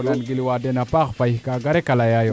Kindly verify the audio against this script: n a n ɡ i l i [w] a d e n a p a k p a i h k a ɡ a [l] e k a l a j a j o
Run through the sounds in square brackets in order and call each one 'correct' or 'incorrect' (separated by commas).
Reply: correct, incorrect